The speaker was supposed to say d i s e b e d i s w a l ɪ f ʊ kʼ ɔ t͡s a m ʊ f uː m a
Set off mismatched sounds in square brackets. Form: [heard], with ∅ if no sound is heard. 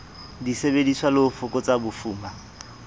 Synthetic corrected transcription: d i s e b e d i s w a l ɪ f ʊ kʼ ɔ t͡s a [b] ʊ f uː m a